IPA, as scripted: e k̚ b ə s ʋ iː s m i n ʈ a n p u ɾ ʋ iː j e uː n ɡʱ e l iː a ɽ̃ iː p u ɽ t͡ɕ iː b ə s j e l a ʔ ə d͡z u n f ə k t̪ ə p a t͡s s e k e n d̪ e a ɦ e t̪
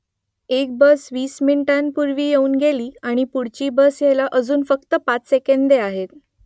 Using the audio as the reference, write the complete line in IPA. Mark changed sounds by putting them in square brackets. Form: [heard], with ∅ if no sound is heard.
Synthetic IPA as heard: e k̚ b ə s ʋ iː s m i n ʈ a n p u ɾ ʋ iː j e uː n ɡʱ e l iː a ɽ̃ [i] p u ɽ t͡ɕ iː b ə s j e l a ʔ ə d͡z [uː] n f ə k t̪ ə p a t͡s s e k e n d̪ e a ɦ e t̪